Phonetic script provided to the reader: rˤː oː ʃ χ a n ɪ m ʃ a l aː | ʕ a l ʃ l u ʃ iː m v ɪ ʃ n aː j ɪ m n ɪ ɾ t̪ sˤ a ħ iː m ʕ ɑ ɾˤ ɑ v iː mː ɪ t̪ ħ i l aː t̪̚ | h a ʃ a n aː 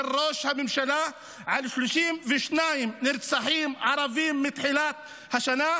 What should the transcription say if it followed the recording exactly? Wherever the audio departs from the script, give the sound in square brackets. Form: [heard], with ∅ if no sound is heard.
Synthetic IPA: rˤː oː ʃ [h] a [m] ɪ m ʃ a l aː | ʕ a l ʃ l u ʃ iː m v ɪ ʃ n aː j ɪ m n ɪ ɾ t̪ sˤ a ħ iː m ʕ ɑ ɾˤ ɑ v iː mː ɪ t̪ ħ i l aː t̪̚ | h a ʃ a n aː